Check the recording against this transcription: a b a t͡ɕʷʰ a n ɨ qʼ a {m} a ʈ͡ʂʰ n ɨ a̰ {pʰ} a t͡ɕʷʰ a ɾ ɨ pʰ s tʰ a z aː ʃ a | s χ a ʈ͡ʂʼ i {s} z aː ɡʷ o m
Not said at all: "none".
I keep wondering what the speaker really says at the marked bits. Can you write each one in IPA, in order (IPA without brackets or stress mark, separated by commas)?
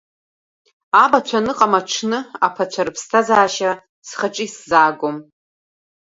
m, pʰ, s